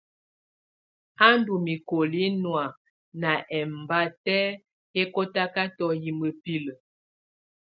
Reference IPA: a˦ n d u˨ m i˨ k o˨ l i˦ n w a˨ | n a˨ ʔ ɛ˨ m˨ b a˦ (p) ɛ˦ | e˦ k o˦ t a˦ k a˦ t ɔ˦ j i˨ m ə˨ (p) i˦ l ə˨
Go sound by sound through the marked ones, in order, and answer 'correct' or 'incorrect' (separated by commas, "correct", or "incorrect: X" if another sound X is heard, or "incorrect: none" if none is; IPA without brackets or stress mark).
incorrect: t, correct